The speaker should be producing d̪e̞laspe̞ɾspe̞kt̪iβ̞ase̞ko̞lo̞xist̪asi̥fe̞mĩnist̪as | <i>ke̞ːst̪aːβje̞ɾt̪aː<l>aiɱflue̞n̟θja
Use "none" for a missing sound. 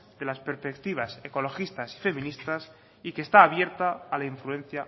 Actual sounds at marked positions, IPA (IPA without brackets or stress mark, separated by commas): i, l